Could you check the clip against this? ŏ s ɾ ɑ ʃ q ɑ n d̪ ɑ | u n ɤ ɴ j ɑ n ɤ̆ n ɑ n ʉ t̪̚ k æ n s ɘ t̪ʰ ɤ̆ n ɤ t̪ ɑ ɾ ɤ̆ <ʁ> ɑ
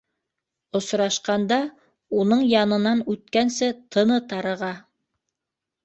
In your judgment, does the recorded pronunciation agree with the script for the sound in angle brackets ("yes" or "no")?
yes